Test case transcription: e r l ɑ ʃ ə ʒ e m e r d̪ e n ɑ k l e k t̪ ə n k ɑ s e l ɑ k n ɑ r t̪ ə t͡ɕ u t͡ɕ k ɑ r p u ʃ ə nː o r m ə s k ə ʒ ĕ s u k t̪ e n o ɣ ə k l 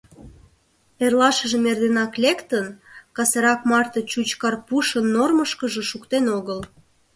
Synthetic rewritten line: e r l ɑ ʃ ə ʒ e m e r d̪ e n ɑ k l e k t̪ ə n k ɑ s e ɾ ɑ k m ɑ r t̪ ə t͡ɕ u t͡ɕ k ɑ r p u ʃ ə nː o r m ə ʃ k ə ʒ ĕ ʃ u k t̪ e n o ɣ ə l